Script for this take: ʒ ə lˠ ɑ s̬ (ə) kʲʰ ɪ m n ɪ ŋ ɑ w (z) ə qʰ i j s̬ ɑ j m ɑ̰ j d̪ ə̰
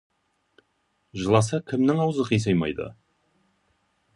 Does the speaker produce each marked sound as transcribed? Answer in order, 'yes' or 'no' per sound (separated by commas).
no, yes